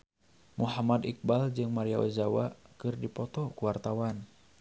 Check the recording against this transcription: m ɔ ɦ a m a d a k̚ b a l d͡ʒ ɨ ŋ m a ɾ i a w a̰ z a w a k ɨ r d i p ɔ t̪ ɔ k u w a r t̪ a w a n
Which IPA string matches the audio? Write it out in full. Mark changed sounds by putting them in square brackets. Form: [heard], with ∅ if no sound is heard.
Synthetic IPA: m [u] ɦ a m a d [i] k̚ b a l d͡ʒ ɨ ŋ m a ɾ i a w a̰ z a w a k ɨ r d i p ɔ t̪ ɔ k u w a r t̪ a w a n